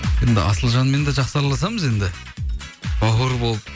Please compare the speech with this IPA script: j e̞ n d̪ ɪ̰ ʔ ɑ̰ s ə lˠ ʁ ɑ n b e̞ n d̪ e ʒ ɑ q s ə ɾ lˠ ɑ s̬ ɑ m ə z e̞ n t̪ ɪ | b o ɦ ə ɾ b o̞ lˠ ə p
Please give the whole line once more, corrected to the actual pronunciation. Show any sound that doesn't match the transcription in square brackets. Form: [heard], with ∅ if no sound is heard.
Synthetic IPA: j e̞ n d̪ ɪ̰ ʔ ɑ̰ s ə lˠ [ʒ] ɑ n [m] e̞ n d̪ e ʒ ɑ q s [ɑ] ɾ lˠ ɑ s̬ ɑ m ə z e̞ n [d̪] ɪ | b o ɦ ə ɾ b o̞ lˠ ə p